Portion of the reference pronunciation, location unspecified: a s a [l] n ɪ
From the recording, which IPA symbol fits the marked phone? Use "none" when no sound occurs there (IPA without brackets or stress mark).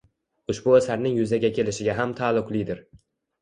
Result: ɾ